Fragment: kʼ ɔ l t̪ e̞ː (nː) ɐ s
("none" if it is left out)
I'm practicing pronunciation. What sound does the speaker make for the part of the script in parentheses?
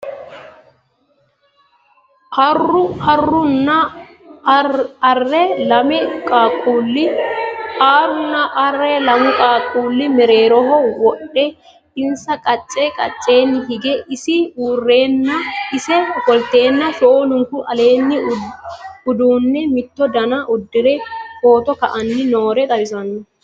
nː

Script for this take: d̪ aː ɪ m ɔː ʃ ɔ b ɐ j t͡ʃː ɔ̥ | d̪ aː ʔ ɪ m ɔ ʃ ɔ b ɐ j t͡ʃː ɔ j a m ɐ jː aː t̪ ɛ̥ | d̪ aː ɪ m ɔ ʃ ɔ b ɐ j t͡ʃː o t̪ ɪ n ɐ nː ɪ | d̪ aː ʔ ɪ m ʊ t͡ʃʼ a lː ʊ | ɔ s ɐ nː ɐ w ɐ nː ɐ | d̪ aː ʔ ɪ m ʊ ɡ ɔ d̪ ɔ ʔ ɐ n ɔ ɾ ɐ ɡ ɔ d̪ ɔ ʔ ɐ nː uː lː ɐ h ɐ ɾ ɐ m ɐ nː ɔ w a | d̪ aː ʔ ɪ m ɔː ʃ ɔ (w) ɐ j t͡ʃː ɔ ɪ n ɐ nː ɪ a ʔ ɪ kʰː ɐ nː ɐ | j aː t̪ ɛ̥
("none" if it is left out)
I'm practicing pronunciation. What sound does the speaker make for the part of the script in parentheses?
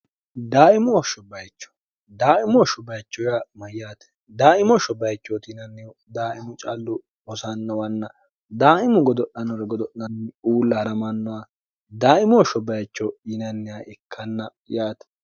b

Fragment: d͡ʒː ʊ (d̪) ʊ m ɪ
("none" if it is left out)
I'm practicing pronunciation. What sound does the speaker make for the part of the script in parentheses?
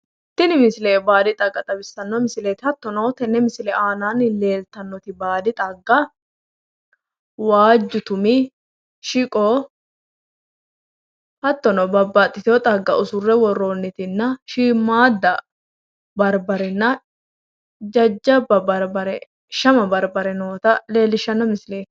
t̪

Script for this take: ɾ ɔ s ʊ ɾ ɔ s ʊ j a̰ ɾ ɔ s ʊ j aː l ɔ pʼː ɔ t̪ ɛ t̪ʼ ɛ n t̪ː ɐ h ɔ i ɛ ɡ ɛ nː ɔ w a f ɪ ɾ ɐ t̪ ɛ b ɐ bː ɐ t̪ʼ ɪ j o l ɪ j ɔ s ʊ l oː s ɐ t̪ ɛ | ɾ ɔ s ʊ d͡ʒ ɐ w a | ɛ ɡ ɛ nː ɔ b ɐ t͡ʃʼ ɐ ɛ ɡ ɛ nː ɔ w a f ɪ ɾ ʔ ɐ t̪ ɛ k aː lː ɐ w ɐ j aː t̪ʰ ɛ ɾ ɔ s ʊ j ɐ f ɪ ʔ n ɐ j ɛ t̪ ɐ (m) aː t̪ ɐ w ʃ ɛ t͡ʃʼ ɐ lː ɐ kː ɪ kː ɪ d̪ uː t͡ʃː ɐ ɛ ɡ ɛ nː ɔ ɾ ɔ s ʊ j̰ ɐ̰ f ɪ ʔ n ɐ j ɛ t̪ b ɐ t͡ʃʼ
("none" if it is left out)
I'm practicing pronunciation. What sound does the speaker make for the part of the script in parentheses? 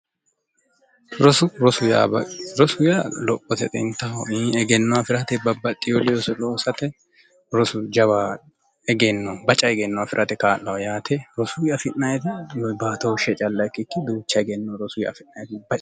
b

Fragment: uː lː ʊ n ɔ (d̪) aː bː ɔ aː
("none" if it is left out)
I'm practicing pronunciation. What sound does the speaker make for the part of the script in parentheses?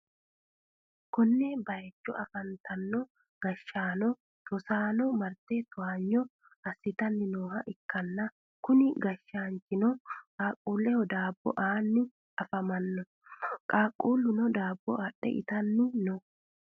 d̪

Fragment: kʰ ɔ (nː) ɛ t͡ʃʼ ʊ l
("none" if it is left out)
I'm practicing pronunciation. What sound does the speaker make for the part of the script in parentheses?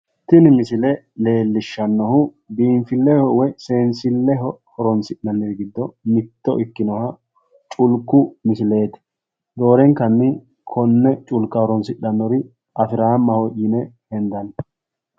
nː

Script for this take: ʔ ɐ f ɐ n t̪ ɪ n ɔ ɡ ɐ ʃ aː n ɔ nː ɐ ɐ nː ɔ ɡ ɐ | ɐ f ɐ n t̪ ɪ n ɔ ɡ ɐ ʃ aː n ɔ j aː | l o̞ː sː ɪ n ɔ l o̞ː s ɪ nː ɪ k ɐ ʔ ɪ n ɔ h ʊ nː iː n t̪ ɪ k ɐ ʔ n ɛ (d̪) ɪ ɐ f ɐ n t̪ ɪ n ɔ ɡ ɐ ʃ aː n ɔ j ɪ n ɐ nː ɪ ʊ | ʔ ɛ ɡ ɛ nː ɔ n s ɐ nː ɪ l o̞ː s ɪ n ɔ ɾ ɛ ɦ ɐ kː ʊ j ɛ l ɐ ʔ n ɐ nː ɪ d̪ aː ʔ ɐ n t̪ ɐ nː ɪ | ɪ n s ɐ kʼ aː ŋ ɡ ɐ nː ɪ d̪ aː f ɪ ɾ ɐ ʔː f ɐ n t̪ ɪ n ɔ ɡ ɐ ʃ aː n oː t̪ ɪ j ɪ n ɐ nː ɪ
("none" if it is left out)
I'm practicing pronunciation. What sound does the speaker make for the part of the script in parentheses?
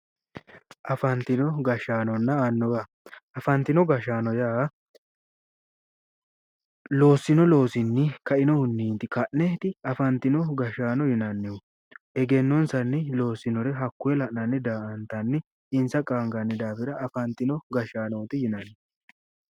t̪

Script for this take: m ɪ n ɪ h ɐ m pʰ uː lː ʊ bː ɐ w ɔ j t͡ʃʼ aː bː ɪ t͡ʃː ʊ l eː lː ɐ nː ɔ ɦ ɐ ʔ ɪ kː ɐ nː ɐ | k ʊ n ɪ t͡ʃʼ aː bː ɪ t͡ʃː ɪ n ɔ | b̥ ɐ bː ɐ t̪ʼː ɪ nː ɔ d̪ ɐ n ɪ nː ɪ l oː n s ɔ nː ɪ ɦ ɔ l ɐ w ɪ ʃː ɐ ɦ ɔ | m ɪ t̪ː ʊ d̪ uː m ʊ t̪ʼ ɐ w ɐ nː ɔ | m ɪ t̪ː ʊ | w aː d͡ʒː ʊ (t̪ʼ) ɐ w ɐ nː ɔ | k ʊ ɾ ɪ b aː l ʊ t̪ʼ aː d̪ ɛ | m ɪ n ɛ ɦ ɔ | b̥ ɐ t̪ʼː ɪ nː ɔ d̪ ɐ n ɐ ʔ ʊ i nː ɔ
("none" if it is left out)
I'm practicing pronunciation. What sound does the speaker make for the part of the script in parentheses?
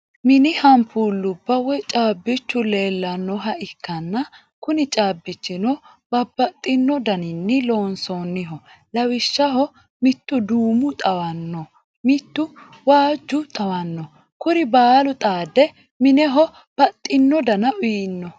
t̪ʼ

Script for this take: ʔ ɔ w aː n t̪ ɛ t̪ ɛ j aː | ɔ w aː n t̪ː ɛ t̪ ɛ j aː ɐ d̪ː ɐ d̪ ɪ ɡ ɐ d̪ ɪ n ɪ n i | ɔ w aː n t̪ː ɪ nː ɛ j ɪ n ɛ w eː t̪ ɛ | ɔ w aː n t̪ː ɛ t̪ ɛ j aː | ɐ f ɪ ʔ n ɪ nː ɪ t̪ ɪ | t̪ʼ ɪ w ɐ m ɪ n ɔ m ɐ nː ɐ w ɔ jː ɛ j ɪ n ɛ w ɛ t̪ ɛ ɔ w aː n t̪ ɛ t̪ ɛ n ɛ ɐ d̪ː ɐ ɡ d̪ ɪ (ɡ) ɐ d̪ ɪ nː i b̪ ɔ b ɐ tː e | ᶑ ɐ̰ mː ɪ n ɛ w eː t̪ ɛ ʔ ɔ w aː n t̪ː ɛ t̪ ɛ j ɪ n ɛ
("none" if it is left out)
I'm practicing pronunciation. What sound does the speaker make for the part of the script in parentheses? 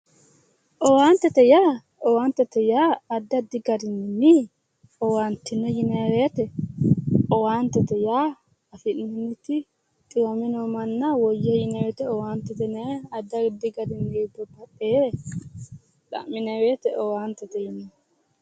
ɡ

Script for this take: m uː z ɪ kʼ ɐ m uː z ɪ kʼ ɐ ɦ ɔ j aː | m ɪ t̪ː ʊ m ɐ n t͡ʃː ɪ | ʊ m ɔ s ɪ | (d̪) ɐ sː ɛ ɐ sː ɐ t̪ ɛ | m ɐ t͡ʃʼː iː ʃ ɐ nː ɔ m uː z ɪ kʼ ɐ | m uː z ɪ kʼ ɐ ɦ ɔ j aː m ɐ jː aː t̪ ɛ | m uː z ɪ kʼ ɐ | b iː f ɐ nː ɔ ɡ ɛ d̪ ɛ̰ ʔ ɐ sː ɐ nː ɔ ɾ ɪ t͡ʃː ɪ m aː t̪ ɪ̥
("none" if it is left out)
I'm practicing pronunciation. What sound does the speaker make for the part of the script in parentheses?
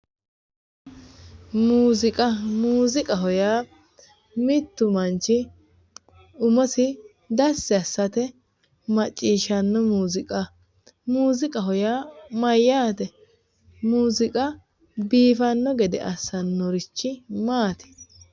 d̪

